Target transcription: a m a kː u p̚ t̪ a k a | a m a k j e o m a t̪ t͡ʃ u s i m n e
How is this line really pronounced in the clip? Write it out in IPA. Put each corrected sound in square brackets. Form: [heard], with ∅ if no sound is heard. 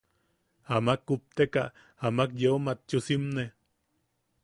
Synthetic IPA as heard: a m a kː u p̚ t̪ [e] k a | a m a k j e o m a t̪ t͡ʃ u s i m n e